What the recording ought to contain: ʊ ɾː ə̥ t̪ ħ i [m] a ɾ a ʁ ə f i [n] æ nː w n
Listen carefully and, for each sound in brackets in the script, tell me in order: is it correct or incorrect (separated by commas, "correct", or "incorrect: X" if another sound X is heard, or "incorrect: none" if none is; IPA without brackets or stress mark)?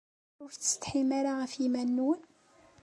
correct, incorrect: m